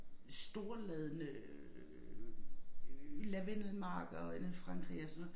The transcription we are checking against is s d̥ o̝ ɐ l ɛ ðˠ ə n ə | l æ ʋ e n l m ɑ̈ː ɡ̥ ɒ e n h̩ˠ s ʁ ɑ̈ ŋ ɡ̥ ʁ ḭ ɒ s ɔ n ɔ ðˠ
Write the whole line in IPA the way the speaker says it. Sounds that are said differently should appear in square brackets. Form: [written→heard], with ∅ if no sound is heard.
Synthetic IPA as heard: s d̥ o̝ ɐ l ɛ ðˠ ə n ə | l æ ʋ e n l m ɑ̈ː ɡ̥ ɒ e n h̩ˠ [s→f] ʁ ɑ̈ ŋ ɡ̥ ʁ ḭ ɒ s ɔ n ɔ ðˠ